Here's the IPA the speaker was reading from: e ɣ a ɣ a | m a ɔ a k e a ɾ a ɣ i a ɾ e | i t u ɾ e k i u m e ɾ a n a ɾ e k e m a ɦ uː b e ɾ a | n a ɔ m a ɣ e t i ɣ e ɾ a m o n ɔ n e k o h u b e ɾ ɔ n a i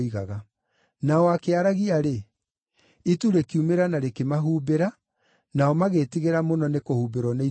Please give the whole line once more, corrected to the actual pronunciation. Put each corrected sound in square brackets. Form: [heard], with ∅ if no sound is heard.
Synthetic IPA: [i] ɣ a ɣ a | [n] a ɔ a k e a ɾ a ɣ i a ɾ e | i t u ɾ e k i u m e ɾ a n a ɾ e k e m a ɦ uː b e ɾ a | n a ɔ m a ɣ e t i ɣ e ɾ a m o n ɔ n e k o h u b e ɾ ɔ n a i